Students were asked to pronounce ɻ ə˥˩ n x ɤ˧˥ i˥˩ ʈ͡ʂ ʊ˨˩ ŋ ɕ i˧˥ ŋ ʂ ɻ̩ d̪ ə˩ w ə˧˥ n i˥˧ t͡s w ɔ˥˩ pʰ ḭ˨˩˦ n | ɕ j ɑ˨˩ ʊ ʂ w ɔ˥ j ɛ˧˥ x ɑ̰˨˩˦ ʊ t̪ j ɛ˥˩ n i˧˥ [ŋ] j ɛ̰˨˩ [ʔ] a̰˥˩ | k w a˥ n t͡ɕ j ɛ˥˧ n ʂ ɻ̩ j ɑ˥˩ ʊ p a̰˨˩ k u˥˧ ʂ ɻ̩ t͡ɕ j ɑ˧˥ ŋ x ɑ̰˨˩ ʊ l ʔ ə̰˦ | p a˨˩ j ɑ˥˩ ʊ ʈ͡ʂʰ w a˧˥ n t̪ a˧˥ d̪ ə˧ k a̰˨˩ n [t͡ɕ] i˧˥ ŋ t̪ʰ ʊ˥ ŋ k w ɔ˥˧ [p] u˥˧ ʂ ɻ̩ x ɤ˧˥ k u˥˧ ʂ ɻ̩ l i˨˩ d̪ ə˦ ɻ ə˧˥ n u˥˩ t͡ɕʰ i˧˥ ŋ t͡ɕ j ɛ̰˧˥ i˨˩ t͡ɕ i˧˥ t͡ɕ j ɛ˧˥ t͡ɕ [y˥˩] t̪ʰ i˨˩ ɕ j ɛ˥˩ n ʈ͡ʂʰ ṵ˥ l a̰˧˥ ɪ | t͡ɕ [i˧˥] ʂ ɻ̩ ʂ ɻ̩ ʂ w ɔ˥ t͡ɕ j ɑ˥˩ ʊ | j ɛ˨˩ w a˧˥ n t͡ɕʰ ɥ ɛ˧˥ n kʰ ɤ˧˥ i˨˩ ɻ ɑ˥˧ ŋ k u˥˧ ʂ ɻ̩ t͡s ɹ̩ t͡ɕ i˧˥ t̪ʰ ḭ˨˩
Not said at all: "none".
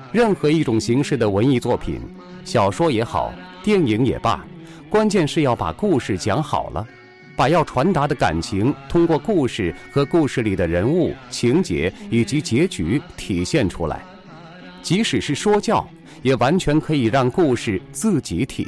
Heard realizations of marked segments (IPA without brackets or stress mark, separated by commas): ŋ, p, t͡ɕʰ, k, y˧˥, i˧˥